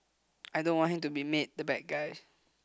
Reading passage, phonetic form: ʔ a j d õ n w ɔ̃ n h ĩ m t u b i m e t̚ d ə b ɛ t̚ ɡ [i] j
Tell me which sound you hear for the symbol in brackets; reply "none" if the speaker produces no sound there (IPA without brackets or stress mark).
a